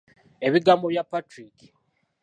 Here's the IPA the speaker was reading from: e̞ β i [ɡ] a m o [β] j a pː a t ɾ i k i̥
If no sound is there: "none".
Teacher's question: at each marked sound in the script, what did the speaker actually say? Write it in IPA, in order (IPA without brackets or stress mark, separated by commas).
ɡ, β